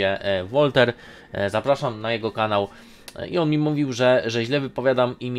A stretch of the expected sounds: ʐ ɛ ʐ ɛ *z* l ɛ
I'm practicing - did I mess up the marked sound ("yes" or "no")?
yes